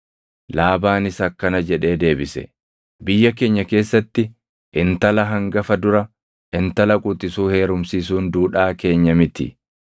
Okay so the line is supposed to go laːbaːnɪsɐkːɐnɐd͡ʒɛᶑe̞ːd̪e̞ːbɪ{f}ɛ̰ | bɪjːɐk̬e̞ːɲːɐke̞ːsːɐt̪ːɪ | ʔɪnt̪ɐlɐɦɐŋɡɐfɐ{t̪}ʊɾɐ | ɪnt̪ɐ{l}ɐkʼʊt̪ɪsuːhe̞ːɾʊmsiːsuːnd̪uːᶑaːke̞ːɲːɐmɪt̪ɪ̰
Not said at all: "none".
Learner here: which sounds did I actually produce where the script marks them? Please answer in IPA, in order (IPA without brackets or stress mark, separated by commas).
s, d̪, l